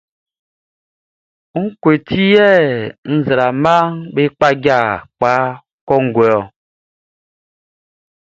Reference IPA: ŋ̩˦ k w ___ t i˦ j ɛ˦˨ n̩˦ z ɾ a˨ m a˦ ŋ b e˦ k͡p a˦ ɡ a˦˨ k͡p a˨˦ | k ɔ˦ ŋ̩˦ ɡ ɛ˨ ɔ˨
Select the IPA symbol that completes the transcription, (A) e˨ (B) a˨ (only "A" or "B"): A